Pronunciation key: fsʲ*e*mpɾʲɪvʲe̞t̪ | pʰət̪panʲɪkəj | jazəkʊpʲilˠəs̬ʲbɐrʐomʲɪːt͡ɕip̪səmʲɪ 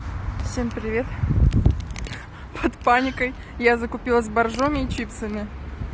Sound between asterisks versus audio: correct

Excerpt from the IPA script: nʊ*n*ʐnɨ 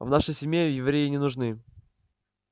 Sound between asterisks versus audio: incorrect: none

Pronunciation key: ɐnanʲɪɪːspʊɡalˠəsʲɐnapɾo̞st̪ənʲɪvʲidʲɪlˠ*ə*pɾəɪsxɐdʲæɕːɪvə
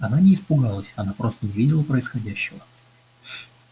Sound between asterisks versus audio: correct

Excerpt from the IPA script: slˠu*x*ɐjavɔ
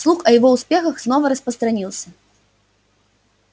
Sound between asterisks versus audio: correct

